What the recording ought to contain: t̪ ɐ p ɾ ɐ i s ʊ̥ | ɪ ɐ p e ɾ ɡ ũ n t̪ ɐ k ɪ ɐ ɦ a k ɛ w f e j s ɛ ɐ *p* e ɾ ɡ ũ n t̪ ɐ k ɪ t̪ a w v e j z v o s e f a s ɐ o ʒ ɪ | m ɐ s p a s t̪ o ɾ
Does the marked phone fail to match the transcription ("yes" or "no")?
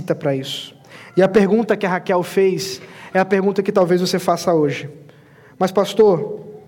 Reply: no